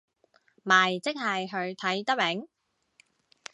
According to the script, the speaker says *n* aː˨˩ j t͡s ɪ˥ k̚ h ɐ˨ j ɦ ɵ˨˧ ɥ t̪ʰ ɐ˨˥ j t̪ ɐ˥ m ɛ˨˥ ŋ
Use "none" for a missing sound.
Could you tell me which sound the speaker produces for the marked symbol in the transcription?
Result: m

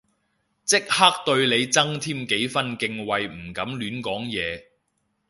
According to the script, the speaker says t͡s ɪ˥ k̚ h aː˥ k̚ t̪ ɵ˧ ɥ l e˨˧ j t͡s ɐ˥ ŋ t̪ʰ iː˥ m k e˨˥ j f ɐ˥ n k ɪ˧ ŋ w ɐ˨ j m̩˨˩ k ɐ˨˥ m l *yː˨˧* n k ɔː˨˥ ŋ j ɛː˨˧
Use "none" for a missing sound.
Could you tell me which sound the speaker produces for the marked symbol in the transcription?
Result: yː˨˧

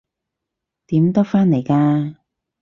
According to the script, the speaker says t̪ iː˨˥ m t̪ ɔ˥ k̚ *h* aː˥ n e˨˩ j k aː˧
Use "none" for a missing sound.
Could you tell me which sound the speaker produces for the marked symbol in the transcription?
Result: f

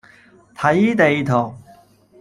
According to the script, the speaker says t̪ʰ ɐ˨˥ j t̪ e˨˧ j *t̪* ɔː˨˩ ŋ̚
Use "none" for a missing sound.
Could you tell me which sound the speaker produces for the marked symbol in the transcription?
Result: t̪ʰ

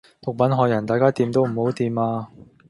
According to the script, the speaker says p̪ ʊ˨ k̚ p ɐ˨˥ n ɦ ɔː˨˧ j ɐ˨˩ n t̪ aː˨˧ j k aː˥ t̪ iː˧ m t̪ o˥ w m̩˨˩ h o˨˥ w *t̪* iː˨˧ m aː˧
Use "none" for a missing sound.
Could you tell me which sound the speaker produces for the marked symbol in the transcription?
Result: t̪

